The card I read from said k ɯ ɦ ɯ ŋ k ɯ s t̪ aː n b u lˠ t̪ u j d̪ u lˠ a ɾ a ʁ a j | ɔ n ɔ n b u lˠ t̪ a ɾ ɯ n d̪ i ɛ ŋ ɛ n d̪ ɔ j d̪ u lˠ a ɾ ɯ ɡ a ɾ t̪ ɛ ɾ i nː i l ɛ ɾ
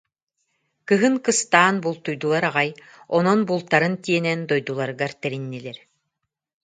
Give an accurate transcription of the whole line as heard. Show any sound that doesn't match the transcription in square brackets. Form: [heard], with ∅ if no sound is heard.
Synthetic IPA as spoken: k ɯ ɦ ɯ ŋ k ɯ s t̪ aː n b u lˠ t̪ u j d̪ u lˠ a ɾ a ʁ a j | ɔ n ɔ n b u lˠ t̪ a ɾ ɯ n [t̪] i ɛ [n] ɛ n d̪ ɔ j d̪ u lˠ a ɾ ɯ ɡ a ɾ t̪ ɛ ɾ i nː i l ɛ ɾ